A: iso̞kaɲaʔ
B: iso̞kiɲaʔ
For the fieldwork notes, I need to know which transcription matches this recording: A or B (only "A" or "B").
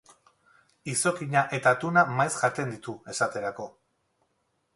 B